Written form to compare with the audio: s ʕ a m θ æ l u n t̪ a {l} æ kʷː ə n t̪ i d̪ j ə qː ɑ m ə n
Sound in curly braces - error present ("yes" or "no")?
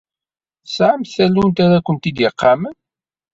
yes